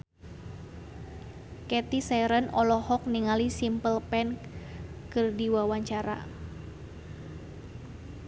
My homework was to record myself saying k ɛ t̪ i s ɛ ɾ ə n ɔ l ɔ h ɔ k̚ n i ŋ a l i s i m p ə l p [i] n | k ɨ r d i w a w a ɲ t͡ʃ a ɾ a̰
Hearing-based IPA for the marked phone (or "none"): ɛ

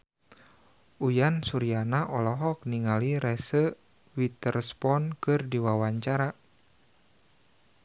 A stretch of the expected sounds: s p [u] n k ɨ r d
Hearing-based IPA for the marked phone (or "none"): ɔ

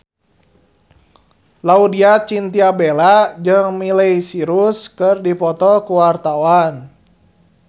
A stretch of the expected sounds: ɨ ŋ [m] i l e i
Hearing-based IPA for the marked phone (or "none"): m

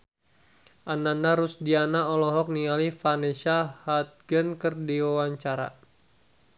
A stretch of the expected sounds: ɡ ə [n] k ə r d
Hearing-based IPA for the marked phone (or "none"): n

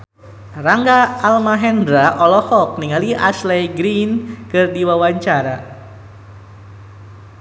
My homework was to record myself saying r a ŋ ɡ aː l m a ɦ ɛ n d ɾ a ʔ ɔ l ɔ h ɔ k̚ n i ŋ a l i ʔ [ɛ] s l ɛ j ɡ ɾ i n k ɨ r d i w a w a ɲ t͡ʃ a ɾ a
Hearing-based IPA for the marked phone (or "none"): a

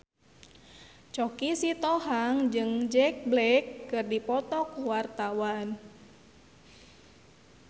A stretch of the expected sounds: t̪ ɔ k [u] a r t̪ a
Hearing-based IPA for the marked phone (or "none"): w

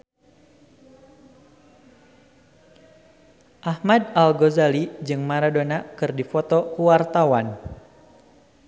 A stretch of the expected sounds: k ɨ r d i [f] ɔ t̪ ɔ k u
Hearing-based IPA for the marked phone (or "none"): f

